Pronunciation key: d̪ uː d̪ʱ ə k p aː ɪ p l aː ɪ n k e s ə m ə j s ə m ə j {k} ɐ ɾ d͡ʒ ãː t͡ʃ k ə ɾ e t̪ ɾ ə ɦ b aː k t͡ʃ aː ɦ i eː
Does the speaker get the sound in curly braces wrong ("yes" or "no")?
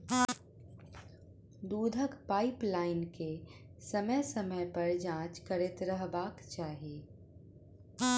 yes